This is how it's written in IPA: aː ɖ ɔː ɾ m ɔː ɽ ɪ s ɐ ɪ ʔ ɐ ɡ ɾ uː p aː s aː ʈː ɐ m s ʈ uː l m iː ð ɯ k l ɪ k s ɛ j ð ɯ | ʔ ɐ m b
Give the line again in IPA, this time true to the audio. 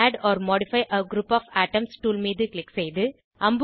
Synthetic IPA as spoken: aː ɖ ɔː ɾ m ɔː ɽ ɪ f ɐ ɪ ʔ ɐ ɡ ɾ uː p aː f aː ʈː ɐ m s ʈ uː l m iː ð ɯ k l ɪ k s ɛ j ð ɯ | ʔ ɐ m b